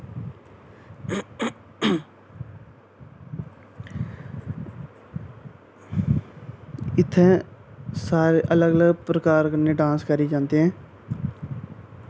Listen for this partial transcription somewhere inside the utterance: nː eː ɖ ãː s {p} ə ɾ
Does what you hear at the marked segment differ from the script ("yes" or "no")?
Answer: yes